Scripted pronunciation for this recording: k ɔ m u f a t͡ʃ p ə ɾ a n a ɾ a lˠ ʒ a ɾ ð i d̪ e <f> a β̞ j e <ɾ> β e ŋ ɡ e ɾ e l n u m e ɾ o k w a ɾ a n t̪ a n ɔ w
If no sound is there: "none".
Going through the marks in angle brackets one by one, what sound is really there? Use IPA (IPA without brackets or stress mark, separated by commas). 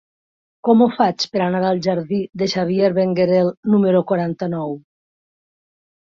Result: ʃ, ɾ